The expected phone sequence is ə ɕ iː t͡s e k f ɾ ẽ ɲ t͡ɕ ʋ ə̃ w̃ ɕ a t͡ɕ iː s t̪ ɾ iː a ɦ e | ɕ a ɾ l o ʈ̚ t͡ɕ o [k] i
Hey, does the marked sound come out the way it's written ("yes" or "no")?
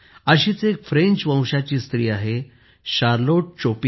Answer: no